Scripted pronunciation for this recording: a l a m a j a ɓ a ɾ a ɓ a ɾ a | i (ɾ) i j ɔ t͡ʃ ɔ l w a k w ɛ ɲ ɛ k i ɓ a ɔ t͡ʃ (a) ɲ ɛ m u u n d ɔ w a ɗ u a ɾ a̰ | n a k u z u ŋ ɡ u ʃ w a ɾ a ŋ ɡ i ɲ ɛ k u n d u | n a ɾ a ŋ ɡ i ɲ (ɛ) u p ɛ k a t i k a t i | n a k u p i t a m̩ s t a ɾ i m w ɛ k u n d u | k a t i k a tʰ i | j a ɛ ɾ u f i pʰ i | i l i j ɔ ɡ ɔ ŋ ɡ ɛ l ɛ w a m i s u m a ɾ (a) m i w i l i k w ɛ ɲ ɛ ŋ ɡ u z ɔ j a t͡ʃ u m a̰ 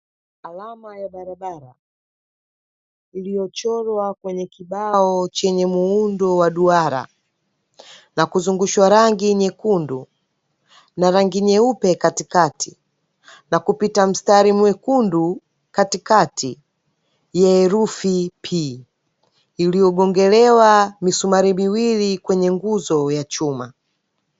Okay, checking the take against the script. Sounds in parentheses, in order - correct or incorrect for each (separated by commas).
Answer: incorrect, incorrect, correct, incorrect